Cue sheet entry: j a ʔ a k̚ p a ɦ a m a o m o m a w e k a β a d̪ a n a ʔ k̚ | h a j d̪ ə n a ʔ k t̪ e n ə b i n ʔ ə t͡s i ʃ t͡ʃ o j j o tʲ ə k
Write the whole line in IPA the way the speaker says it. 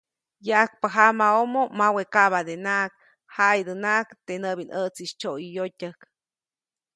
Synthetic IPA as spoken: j a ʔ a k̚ p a ɦ a m a o m o m a w e k a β a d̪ e n a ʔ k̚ | h a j d̪ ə n a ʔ k t̪ e n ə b i n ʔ ə t͡s i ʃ t͡ʃ o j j o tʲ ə k